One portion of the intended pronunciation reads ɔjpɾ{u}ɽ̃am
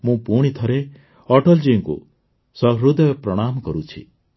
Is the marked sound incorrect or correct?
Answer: incorrect